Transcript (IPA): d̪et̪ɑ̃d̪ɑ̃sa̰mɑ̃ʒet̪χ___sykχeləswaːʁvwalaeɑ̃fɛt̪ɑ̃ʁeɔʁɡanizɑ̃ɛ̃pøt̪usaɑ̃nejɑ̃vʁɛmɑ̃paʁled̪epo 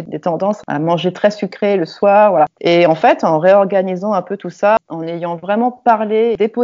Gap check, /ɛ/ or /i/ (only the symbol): ɛ